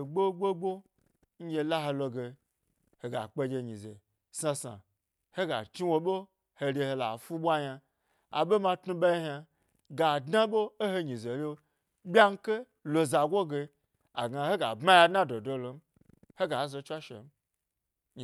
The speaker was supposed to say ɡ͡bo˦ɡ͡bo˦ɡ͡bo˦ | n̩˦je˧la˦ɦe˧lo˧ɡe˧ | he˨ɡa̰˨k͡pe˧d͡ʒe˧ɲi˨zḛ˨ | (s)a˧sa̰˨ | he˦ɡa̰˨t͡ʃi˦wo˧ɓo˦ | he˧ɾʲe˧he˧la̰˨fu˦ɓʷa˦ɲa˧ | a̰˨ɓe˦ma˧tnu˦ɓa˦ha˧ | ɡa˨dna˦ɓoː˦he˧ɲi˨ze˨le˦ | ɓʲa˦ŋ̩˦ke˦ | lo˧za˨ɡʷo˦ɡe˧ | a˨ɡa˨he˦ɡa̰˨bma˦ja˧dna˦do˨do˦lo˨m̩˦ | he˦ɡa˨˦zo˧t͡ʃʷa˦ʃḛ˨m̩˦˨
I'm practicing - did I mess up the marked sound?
no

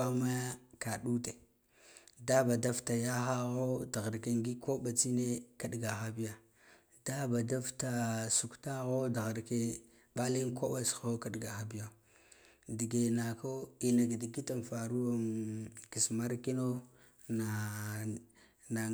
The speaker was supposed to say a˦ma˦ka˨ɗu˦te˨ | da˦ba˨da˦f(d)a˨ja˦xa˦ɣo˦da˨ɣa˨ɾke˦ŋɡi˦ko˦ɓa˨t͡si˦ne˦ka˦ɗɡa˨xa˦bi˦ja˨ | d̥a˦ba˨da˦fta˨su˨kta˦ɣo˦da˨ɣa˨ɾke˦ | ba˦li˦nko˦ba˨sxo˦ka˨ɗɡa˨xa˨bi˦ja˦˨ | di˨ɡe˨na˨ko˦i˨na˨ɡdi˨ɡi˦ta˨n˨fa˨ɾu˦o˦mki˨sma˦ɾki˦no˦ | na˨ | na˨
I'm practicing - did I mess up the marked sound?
yes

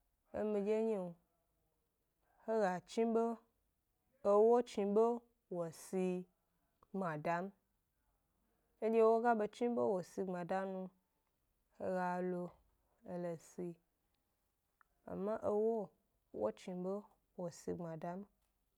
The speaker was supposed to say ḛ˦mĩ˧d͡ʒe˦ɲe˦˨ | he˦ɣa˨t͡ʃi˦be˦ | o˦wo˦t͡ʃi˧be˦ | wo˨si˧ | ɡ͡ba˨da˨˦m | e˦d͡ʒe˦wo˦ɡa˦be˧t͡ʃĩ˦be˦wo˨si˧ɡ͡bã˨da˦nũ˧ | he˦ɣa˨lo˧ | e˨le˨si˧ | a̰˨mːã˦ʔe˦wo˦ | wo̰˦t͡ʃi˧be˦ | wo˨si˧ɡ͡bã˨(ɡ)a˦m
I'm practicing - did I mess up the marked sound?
yes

